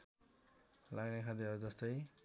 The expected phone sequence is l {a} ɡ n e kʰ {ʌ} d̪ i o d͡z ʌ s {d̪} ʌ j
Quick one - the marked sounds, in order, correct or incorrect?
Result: correct, incorrect: a, incorrect: t̪

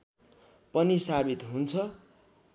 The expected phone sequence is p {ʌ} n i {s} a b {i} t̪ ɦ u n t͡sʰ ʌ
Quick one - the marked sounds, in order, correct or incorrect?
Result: correct, correct, correct

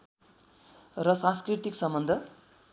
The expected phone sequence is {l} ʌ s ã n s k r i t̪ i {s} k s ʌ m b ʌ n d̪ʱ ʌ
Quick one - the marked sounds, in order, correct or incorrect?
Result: incorrect: r, incorrect: none

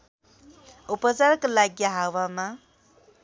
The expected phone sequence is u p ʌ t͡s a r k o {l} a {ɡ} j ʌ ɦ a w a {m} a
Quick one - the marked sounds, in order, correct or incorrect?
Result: correct, correct, correct

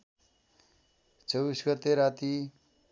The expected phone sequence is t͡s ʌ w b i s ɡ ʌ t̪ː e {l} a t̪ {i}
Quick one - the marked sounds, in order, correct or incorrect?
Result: incorrect: ɾ, correct

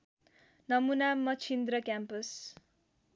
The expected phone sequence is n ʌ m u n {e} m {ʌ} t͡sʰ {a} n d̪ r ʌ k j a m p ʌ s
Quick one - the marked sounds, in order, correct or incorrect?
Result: incorrect: a, correct, incorrect: i

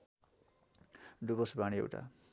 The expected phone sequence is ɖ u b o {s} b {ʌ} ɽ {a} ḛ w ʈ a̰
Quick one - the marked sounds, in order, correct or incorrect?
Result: correct, incorrect: a, incorrect: i

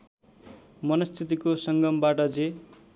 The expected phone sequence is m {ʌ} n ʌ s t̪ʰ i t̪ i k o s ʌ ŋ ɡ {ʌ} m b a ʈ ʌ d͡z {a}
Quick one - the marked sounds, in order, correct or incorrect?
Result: correct, correct, incorrect: e

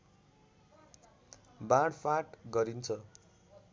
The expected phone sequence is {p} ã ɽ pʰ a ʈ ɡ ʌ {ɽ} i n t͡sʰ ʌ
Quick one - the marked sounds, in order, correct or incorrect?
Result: incorrect: b, incorrect: ɾ

